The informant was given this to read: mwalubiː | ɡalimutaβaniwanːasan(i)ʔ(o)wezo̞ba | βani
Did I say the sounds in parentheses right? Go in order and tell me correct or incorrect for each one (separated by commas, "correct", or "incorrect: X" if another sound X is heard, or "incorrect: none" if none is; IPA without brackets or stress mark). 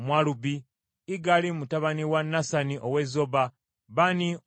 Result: correct, correct